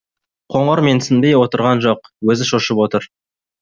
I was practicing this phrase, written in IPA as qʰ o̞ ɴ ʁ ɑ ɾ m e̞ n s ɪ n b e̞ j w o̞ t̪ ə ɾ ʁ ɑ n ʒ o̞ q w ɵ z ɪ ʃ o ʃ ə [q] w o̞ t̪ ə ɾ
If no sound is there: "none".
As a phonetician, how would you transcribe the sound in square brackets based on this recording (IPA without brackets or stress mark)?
p